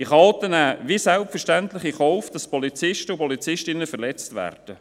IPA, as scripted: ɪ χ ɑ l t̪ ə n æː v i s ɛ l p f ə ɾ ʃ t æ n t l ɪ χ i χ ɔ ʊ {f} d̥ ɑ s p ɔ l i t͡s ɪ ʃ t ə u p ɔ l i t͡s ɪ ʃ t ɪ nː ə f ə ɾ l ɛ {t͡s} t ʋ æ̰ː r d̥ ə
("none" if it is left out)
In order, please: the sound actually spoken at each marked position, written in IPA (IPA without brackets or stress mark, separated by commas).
f, t͡s